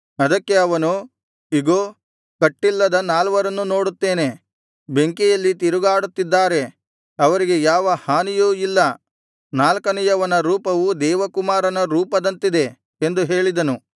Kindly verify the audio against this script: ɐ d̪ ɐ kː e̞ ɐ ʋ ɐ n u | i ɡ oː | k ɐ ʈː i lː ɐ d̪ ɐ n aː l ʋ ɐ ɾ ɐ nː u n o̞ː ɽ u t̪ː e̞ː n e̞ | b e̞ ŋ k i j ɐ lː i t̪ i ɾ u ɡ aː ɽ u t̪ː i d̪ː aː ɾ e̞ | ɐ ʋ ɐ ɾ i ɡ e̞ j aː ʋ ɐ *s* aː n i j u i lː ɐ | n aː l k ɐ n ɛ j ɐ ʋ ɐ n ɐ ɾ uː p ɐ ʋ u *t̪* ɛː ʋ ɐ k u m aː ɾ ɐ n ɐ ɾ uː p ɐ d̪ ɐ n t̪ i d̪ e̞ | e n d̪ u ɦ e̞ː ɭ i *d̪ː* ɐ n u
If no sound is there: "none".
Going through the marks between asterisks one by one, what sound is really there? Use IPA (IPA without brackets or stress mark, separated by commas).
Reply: h, d̪, d̪